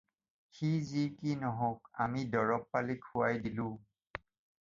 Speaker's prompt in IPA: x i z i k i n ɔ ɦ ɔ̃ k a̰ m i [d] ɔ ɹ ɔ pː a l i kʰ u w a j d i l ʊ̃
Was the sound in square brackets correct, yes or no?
yes